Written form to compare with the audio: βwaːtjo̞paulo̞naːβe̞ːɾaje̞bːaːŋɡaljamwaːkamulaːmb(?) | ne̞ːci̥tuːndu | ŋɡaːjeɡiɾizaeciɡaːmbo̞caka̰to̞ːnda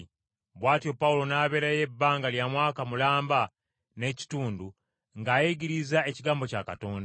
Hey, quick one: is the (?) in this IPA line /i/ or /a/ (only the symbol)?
a